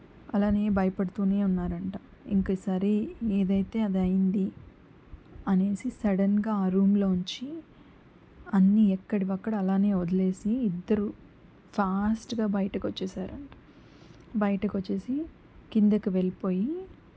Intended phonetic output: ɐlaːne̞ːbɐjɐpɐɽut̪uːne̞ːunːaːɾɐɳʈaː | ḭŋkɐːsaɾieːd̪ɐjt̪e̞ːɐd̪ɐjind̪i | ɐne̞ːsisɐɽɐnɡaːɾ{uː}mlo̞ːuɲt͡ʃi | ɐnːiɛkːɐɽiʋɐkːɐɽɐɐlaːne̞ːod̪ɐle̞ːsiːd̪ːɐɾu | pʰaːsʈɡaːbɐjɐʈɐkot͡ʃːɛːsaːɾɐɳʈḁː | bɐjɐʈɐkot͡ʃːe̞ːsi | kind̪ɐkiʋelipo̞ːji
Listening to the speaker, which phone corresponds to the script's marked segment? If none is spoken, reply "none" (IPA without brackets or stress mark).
uː